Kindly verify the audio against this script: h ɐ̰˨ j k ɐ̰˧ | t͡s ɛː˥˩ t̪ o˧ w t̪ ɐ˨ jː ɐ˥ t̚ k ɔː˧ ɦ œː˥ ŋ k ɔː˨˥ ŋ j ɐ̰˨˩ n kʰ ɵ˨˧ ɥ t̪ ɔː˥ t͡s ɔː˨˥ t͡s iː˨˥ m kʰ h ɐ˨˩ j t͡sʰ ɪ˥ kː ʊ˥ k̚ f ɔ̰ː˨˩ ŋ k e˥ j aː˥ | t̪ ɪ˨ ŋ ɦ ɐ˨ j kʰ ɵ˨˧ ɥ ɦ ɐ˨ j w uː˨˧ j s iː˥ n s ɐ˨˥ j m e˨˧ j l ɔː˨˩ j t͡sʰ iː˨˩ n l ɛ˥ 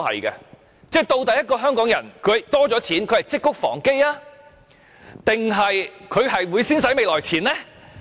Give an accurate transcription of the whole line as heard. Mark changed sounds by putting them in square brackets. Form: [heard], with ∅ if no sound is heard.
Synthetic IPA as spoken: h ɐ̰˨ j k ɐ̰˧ | t͡s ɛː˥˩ t̪ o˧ w t̪ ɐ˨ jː ɐ˥ t̚ k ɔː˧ ɦ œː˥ ŋ k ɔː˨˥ ŋ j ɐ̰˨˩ n kʰ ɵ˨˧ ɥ t̪ ɔː˥ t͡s ɔː˨˥ [t͡sʰ] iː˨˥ [n] kʰ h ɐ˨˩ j [t͡s] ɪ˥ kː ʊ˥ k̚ f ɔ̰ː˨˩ ŋ k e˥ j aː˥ | t̪ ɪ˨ ŋ ɦ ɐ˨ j kʰ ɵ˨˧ ɥ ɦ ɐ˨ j w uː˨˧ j s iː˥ n s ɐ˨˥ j m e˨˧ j l ɔː˨˩ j t͡sʰ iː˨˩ n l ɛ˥